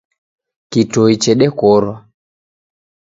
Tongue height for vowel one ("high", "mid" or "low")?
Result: high